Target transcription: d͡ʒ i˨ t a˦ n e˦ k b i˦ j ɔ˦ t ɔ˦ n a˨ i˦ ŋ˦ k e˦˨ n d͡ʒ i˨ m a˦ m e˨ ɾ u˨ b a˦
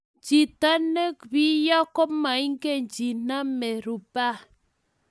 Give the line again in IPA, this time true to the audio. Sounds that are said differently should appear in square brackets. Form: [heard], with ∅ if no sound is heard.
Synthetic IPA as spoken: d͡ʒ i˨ t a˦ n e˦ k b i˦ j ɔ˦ [k] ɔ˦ [m] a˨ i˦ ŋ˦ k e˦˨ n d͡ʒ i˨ [n] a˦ m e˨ ɾ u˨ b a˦